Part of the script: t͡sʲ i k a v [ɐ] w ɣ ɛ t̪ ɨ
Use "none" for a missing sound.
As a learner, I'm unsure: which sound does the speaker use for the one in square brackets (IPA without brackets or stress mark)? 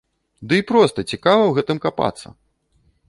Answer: ɐ